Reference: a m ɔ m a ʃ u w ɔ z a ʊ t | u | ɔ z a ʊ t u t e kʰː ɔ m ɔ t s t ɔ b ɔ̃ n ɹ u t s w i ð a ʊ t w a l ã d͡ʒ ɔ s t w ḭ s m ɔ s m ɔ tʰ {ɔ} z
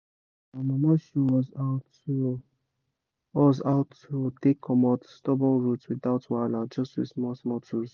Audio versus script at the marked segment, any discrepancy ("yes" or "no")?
yes